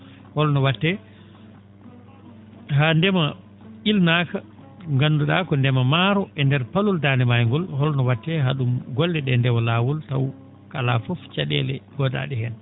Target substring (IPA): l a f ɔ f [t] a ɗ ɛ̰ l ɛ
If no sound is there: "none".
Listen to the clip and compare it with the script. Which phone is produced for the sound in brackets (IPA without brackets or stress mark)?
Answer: t͡ʃ